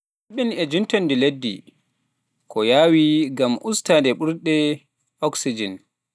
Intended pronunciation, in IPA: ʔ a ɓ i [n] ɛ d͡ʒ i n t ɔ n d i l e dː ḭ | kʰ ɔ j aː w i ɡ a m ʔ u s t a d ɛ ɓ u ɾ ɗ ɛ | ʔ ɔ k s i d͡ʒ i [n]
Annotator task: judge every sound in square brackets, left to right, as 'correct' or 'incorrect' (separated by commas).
correct, correct